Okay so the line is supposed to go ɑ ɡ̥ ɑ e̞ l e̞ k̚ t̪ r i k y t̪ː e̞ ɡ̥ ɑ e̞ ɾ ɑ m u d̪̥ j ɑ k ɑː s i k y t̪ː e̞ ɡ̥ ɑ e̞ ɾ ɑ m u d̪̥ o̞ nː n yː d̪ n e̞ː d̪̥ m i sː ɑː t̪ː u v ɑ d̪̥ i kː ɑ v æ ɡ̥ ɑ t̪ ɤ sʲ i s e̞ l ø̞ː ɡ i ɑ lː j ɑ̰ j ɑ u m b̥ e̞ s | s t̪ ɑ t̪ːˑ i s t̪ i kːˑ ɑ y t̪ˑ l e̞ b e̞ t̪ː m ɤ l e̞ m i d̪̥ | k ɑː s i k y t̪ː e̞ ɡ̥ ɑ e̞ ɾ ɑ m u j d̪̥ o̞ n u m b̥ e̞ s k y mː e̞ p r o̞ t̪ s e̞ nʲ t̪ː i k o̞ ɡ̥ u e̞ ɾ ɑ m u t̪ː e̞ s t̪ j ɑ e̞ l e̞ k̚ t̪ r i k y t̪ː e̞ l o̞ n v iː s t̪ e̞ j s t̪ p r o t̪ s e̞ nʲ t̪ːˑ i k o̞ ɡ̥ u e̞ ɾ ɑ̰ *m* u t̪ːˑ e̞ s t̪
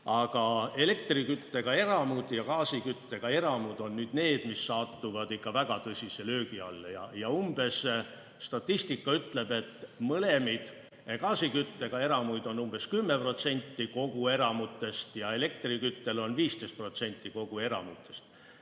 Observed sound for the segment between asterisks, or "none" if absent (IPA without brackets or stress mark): m